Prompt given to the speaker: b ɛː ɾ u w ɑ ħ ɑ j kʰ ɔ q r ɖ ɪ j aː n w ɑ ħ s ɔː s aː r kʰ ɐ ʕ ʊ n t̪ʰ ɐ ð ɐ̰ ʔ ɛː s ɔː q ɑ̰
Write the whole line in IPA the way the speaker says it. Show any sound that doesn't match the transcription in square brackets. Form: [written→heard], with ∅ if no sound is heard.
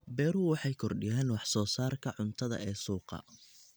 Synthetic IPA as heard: b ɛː ɾ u w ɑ ħ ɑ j kʰ ɔ [q→∅] r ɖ ɪ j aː n w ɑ ħ s ɔː s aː r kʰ ɐ ʕ ʊ n t̪ʰ ɐ ð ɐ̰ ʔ ɛː s [ɔː→uː] q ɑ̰